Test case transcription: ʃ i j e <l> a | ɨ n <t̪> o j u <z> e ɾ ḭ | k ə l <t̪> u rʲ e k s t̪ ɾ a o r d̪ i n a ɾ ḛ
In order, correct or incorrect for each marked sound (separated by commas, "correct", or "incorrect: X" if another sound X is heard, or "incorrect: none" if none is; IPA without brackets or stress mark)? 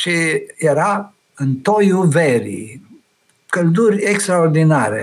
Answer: incorrect: ɾ, correct, incorrect: v, incorrect: d̪